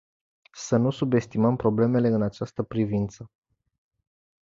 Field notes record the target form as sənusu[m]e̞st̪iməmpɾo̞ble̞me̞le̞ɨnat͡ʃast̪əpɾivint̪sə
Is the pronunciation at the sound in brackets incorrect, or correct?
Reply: incorrect